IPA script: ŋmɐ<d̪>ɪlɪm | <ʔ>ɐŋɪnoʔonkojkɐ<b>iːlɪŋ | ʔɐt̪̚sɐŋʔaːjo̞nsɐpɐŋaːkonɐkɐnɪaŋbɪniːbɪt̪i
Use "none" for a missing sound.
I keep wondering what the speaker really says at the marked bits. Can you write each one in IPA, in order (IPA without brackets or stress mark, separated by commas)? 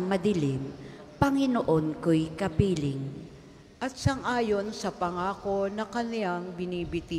d̪, p, p